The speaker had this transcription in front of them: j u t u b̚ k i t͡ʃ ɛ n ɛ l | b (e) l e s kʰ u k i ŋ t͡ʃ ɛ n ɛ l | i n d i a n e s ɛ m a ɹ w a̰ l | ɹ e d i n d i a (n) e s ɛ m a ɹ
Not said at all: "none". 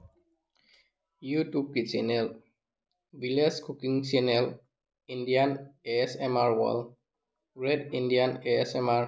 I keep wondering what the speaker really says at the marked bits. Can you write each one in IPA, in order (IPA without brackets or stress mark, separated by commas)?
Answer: i, n